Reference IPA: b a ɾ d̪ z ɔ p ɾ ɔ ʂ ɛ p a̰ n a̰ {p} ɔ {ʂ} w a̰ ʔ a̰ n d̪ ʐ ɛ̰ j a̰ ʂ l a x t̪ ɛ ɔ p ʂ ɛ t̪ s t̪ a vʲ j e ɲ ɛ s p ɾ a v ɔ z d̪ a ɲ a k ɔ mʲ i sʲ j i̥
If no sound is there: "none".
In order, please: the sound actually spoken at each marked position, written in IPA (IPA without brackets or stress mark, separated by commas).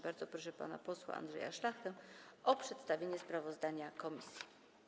p, s